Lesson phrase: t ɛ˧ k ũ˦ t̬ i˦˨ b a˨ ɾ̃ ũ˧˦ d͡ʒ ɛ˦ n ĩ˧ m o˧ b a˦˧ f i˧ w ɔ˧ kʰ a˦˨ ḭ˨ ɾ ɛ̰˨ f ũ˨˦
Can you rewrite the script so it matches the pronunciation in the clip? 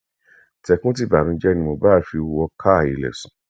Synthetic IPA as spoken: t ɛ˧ k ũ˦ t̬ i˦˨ b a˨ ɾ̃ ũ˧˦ d͡ʒ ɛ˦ n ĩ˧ m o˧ b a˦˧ f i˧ w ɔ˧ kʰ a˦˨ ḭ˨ l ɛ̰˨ s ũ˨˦